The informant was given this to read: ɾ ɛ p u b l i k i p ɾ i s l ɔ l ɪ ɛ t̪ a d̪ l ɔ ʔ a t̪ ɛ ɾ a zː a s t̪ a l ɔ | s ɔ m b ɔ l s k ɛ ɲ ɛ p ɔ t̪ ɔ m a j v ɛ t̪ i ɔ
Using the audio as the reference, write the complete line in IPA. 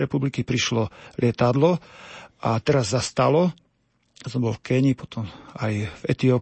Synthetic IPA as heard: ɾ ɛ p u b l i k i p ɾ i ʃ l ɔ l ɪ ɛ t̪ a d̪ l ɔ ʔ a t̪ ɛ ɾ a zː a s t̪ a l ɔ | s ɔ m b ɔ l f k ɛ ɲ i p ɔ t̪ ɔ m a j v ɛ t̪ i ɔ